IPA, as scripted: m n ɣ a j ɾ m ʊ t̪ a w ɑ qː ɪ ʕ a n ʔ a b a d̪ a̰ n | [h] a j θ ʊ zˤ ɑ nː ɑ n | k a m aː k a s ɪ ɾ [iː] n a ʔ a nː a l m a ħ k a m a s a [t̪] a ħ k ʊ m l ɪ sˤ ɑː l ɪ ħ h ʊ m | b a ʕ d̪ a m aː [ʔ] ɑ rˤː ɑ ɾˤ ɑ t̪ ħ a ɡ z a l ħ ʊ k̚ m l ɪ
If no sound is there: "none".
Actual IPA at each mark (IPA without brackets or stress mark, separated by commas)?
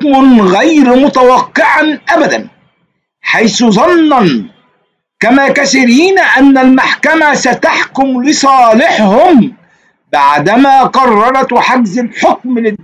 ħ, iː, t̪, q